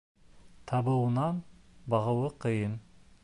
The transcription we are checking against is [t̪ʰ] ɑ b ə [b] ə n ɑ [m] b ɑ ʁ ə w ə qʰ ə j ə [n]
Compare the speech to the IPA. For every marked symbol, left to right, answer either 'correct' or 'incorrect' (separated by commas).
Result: correct, incorrect, incorrect, correct